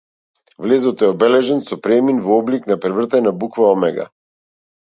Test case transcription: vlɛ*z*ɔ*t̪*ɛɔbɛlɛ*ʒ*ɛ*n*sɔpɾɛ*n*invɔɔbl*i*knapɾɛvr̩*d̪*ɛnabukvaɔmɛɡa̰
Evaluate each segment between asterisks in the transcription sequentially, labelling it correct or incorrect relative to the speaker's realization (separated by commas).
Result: correct, correct, correct, correct, incorrect, correct, incorrect